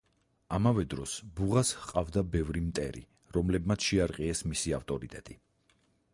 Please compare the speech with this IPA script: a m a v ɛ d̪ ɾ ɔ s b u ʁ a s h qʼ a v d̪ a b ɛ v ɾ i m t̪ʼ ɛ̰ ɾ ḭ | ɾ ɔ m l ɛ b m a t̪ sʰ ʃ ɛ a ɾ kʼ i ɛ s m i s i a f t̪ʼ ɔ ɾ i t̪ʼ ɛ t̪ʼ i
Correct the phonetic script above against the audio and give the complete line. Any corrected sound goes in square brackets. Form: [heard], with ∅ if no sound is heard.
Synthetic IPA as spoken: a m a v ɛ d̪ ɾ ɔ s b u ʁ a s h qʼ a v d̪ a b ɛ v ɾ i m t̪ʼ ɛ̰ ɾ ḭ | ɾ ɔ m l ɛ b m a t̪ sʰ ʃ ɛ a ɾ [qʼ] i ɛ s m i s i a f t̪ʼ ɔ ɾ i t̪ʼ ɛ t̪ʼ i